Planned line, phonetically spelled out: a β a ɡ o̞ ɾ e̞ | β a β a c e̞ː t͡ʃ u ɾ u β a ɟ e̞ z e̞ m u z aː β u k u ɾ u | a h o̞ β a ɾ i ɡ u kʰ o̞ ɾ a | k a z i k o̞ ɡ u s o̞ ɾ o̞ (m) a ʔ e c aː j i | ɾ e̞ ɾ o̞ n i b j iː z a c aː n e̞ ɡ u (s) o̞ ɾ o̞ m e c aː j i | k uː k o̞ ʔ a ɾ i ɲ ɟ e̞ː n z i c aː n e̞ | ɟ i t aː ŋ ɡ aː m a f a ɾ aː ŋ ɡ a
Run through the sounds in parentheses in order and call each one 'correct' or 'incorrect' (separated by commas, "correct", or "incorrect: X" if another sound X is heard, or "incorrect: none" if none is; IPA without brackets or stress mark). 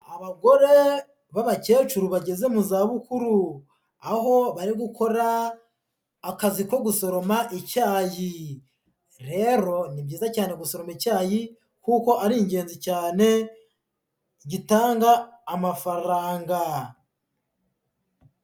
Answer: correct, correct